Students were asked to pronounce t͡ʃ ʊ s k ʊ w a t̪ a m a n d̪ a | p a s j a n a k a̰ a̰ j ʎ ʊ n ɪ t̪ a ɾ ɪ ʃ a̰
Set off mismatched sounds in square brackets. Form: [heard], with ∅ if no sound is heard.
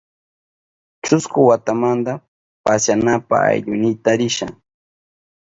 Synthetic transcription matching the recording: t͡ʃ ʊ s k ʊ w a t̪ a m a n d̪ a | p a s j a n a [p] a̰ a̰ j ʎ ʊ n ɪ t̪ a ɾ ɪ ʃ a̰